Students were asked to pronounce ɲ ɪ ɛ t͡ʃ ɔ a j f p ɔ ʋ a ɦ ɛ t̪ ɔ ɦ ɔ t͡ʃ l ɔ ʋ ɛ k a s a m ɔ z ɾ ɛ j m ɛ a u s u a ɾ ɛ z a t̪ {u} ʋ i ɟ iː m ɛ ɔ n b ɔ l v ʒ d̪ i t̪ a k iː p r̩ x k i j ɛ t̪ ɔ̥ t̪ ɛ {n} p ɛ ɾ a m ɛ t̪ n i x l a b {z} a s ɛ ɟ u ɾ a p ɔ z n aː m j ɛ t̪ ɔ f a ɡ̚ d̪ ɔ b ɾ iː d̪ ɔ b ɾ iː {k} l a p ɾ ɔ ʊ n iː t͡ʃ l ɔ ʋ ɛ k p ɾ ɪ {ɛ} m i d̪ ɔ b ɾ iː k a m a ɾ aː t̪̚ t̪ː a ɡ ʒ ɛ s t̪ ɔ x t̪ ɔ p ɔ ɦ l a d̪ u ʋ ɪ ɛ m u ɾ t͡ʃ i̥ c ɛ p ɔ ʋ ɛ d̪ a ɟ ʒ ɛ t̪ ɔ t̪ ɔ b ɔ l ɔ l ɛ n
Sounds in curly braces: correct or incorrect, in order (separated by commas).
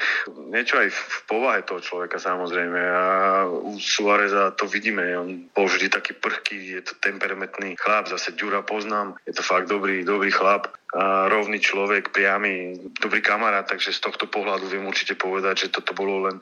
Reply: incorrect, incorrect, correct, incorrect, incorrect